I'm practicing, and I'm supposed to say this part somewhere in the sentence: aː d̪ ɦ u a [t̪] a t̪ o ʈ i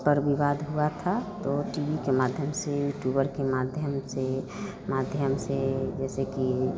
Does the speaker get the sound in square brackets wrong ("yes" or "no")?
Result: yes